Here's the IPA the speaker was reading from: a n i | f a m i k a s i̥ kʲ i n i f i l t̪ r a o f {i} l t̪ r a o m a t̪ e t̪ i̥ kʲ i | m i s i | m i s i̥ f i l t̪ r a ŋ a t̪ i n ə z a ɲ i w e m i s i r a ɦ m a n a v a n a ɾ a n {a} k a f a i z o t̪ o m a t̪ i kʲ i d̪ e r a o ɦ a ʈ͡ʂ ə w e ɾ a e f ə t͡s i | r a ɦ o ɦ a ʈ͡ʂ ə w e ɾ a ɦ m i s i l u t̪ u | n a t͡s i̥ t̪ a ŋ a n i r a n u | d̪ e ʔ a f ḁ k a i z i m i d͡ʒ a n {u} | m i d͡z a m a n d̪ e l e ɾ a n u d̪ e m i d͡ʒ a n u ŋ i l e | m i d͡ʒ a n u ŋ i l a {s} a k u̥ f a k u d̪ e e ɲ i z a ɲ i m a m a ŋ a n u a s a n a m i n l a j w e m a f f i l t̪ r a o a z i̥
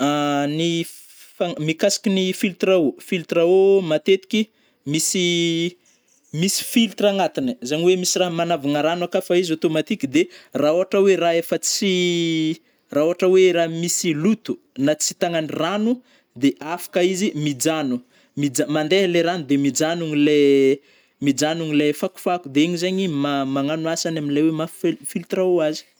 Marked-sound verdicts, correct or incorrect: correct, correct, correct, incorrect: f

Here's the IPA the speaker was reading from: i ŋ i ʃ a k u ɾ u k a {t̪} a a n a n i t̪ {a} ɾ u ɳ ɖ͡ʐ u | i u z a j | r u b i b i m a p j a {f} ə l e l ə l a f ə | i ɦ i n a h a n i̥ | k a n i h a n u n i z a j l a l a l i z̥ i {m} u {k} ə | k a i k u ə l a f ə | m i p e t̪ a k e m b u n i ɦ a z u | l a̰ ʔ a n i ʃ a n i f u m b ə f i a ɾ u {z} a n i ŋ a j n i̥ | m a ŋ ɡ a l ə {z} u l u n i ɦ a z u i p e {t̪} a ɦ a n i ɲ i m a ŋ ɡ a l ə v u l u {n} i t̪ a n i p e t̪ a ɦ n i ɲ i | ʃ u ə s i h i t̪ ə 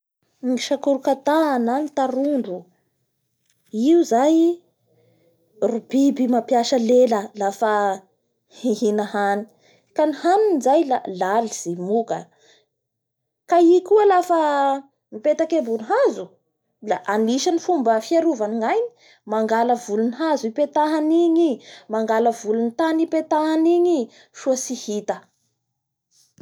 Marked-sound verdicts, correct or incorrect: correct, correct, incorrect: ʃ, correct, correct, incorrect: v, incorrect: v, correct, correct

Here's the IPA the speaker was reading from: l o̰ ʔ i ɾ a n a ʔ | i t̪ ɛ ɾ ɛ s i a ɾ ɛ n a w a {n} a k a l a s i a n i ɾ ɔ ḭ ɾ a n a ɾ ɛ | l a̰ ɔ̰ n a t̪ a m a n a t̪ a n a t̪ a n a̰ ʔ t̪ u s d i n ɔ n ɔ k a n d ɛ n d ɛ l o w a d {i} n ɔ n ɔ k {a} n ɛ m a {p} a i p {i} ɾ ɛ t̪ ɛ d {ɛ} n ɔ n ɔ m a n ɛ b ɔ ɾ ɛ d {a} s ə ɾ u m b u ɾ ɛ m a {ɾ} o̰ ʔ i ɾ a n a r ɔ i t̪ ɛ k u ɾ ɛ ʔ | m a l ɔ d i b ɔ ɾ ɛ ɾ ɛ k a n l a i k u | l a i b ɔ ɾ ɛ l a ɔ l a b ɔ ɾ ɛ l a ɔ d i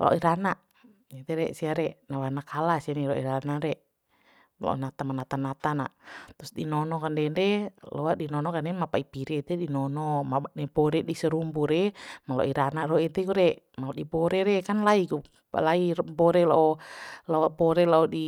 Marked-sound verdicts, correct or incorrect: correct, correct, correct, correct, correct, incorrect: i, incorrect: i, incorrect: l

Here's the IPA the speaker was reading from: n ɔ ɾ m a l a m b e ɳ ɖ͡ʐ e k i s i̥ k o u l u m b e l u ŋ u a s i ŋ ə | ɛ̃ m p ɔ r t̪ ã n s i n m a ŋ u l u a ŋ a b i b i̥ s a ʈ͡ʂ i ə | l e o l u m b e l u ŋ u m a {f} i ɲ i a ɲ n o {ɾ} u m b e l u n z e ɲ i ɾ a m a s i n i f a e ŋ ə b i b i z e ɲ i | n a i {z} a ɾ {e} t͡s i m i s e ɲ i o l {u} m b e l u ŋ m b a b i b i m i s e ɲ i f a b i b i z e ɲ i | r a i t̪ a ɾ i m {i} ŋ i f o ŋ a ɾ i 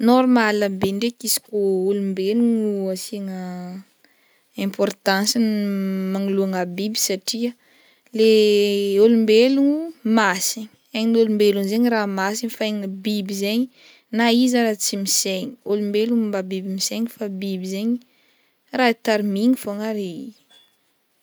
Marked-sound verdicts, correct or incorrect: incorrect: s, incorrect: l, correct, incorrect: a, correct, correct

